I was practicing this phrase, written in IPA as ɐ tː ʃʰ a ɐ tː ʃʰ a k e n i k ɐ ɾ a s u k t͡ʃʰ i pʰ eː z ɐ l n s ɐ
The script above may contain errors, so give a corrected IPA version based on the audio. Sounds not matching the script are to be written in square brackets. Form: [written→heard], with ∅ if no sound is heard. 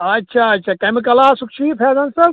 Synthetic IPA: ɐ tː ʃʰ a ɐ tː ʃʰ a k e [n→m] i k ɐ [ɾ→l] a s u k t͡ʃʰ i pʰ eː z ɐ [l→∅] n s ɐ

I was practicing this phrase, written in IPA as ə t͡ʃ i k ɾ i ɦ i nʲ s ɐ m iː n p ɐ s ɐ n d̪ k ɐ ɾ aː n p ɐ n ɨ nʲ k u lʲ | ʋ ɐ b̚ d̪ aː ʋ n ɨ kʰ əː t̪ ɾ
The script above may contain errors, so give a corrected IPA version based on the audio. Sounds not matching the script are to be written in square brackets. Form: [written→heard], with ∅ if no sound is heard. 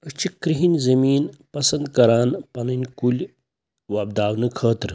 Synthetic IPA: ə t͡ʃ i k ɾ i ɦ i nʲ [s→z] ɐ m iː n p ɐ s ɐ n d̪ k ɐ ɾ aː n p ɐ n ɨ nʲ k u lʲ | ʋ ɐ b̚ d̪ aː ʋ n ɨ kʰ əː t̪ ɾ

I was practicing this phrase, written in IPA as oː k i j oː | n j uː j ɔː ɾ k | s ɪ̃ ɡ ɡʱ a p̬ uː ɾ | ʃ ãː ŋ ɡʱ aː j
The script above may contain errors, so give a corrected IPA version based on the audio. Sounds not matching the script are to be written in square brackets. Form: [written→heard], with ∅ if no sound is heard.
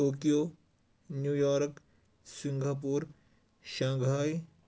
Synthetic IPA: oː k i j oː | n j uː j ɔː ɾ k | s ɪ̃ [ɡ→ŋ] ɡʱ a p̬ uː ɾ | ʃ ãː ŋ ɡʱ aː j

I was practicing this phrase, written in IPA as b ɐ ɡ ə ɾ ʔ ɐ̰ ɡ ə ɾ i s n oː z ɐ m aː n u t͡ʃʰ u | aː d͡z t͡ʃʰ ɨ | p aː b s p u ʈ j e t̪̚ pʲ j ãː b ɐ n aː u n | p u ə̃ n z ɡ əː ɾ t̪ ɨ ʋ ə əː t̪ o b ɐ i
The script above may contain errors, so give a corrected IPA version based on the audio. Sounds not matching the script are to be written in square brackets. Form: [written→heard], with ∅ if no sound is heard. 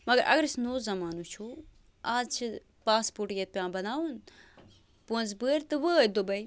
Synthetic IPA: [b→m] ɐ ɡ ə ɾ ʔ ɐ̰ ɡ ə ɾ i s n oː z ɐ m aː n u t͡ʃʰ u | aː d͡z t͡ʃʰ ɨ | p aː [b→∅] s p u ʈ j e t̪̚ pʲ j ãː b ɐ n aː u n | p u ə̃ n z [ɡ→b] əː ɾ t̪ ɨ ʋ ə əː [t̪→d̪] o b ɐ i

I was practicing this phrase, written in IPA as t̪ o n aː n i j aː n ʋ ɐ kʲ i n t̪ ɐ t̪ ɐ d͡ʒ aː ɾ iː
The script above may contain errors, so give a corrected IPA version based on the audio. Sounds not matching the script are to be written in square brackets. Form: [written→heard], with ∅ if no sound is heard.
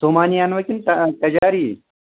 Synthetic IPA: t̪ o [n→m] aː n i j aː n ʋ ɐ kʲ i n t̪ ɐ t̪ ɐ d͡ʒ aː ɾ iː

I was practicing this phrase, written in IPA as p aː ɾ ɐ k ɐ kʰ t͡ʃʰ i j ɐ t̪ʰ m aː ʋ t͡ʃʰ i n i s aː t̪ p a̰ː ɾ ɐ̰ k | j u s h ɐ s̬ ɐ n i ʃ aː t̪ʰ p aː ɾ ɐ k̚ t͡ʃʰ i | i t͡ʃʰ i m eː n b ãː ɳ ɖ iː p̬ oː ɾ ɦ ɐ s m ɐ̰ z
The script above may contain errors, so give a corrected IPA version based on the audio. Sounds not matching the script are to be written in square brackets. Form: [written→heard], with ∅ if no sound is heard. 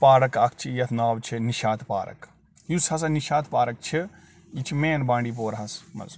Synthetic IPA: p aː ɾ ɐ k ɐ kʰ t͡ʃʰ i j ɐ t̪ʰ [m→n] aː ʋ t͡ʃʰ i n i [s→ʃ] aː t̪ p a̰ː ɾ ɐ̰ k | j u s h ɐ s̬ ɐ n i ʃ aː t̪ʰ p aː ɾ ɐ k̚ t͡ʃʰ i | i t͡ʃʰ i m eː n b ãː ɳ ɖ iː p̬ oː ɾ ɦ ɐ s m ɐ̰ z

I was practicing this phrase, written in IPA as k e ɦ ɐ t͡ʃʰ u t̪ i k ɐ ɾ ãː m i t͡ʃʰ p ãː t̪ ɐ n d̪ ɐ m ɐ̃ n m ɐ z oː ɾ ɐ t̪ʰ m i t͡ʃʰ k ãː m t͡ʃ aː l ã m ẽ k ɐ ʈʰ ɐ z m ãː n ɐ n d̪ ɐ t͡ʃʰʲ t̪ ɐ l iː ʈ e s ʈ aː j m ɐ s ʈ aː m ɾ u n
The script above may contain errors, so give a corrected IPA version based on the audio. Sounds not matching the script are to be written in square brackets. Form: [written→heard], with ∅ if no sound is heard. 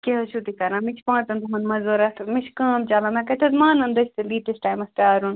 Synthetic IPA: k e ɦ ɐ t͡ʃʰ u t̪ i k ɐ ɾ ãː m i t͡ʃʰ p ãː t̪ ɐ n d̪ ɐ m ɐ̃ n m ɐ z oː ɾ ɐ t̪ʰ m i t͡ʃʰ k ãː m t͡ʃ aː l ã m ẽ k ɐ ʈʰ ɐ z m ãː n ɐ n d̪ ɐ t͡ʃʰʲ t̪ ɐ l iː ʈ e s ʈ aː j m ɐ s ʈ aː [m→∅] ɾ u n

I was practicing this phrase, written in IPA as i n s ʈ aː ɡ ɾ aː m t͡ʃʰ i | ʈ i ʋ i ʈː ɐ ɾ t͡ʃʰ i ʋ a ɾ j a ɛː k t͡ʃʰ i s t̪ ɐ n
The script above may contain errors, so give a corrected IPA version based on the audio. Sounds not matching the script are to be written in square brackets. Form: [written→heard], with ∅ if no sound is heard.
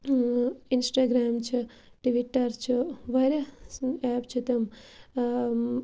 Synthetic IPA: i n s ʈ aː ɡ ɾ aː m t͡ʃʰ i | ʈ i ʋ i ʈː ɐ ɾ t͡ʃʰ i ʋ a ɾ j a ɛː [k→p] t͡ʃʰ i [s→∅] t̪ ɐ [n→m]

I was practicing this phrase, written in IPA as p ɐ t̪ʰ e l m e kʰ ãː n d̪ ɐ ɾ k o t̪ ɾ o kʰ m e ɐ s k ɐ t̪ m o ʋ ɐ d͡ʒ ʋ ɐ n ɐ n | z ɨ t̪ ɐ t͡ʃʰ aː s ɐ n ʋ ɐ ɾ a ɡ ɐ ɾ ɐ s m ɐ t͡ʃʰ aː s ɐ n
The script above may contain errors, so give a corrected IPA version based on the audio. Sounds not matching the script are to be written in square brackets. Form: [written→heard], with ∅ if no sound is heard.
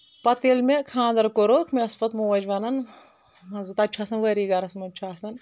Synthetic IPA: p ɐ [t̪ʰ→t̪] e l m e kʰ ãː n d̪ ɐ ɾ k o [t̪→∅] ɾ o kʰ m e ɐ s [k→p] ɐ t̪ m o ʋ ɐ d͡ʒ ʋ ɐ n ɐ n | z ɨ t̪ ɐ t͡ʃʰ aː s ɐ n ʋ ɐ ɾ [a→i] ɡ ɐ ɾ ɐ s m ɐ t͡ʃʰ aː s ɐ n

